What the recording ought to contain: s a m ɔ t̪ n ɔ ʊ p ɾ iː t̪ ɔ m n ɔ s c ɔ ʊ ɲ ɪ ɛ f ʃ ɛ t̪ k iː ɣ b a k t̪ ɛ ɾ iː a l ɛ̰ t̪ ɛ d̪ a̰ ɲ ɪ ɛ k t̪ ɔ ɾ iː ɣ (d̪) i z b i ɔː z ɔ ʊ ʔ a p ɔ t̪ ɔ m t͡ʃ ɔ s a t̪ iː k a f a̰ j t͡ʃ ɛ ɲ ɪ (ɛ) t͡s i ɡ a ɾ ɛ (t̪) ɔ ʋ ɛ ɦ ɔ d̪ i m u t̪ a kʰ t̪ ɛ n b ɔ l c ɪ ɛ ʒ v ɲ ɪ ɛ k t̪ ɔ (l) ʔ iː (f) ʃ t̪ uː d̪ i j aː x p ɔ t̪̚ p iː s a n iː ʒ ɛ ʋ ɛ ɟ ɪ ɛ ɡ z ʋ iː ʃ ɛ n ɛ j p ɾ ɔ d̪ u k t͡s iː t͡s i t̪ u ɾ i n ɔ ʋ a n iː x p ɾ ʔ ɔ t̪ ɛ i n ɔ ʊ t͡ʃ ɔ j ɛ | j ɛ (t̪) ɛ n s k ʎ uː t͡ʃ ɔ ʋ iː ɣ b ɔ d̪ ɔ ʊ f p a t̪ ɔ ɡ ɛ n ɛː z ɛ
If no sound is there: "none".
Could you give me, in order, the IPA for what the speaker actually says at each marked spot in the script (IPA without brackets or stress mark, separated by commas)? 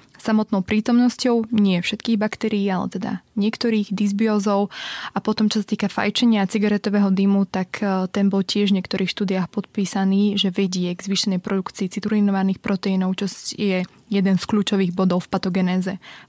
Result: d̪, a, t̪, ɾ, x, d̪